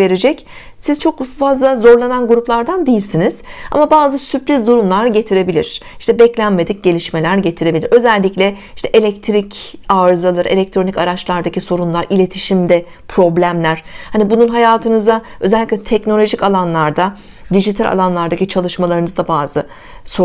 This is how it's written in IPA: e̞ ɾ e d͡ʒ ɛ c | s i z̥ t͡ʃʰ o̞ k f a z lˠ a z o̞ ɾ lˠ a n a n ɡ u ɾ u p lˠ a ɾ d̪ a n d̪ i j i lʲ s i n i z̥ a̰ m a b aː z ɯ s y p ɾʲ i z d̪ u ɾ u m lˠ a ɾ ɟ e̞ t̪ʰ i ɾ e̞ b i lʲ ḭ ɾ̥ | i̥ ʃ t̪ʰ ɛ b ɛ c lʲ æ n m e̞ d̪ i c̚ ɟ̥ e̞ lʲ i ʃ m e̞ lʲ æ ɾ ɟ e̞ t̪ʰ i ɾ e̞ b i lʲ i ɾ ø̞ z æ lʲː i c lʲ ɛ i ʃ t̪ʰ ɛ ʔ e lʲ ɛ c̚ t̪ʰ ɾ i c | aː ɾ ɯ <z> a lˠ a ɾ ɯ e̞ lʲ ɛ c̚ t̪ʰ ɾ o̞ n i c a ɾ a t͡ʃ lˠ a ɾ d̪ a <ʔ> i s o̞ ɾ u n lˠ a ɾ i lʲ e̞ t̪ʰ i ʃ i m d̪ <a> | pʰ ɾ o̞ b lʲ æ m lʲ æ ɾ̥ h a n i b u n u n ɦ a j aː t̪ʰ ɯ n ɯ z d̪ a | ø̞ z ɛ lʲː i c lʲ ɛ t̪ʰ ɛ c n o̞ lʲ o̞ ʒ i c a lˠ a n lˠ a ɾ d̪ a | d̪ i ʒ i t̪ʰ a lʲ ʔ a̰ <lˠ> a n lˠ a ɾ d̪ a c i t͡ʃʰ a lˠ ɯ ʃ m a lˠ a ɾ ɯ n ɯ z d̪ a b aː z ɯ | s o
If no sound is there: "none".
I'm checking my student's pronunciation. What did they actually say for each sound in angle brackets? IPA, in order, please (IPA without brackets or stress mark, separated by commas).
z, c, ɛ, lˠ